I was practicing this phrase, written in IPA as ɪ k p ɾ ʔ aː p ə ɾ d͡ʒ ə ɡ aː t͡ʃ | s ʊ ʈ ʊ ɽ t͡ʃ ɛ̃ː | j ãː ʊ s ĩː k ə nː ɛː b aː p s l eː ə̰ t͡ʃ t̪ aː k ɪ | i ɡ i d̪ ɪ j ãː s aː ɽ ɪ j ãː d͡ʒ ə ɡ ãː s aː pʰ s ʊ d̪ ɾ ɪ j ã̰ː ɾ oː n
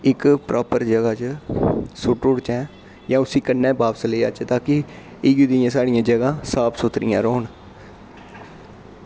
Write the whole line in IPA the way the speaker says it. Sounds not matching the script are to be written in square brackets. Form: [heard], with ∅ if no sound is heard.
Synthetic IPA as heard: ɪ k p ɾ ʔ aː p ə ɾ d͡ʒ ə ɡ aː t͡ʃ | s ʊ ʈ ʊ ɽ t͡ʃ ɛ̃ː | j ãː ʊ s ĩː k ə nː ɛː b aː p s l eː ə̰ t͡ʃ t̪ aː k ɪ | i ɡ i d̪ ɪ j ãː s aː ɽ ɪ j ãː d͡ʒ ə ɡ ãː s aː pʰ s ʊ [t̪] ɾ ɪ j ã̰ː ɾ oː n